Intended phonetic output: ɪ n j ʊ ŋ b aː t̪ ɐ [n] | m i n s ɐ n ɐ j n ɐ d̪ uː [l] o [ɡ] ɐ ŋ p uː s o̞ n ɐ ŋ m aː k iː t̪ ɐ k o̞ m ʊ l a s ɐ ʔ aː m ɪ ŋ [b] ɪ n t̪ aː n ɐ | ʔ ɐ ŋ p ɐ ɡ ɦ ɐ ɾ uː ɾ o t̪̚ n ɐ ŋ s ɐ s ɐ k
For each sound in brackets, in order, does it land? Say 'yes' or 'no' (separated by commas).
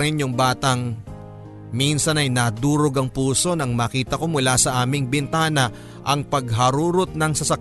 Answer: no, no, yes, yes